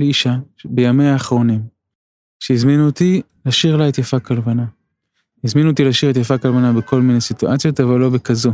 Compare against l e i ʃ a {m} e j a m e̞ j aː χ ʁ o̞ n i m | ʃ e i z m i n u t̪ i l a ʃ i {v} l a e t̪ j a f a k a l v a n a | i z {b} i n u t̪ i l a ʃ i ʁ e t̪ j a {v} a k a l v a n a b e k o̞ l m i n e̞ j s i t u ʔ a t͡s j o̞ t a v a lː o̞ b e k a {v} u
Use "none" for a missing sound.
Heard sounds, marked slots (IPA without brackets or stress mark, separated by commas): b, ʁ, m, f, z